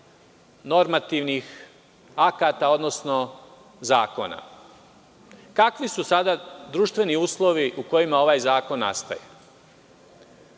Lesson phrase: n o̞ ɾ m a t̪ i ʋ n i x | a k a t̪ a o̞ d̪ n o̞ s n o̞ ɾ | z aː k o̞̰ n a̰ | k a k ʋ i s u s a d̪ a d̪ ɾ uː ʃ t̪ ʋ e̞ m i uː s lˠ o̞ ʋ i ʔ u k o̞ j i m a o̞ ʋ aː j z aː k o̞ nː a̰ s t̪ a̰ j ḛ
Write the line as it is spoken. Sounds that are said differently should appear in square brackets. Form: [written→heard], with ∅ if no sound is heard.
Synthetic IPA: n o̞ ɾ m a t̪ i ʋ n i x | a k a t̪ a o̞ d̪ n o̞ s n o̞ [ɾ→∅] | z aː k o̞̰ n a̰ | k a k ʋ i s u s a d̪ a d̪ ɾ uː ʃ t̪ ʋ e̞ [m→n] i uː s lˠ o̞ ʋ i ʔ u k o̞ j i m a o̞ ʋ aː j z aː k o̞ nː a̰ s t̪ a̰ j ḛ